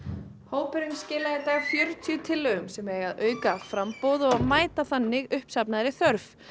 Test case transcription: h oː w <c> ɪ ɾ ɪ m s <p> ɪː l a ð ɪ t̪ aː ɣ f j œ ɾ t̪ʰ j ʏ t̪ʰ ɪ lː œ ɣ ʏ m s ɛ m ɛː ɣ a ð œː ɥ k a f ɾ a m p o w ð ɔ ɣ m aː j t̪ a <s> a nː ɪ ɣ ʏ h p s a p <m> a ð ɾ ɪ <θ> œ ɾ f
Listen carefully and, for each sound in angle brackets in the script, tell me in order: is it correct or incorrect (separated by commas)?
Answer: incorrect, incorrect, incorrect, incorrect, correct